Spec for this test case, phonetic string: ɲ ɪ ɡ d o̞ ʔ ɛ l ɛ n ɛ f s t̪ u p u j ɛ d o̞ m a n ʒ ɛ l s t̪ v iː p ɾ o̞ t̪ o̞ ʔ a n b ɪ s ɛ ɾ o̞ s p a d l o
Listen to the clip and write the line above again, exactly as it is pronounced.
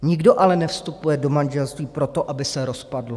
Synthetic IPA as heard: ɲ ɪ ɡ d o̞ ʔ a l ɛ n ɛ f s t̪ u p u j ɛ d o̞ m a n ʒ ɛ l s t̪ v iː p ɾ o̞ t̪ o̞ ʔ a b ɪ s ɛ ɾ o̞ s p a d l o